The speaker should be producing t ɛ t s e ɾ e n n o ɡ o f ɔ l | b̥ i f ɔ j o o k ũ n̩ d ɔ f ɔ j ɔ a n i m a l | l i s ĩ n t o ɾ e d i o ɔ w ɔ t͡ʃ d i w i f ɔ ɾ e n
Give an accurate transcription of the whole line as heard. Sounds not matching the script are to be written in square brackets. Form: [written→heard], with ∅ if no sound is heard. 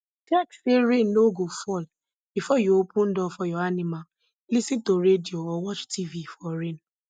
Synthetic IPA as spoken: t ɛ [t→k] s e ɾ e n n o ɡ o f ɔ l | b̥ i f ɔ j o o [k→p] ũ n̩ d ɔ f ɔ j ɔ a n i m a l | l i s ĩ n t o ɾ e d i o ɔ w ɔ t͡ʃ [d→t] i [w→v] i f ɔ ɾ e n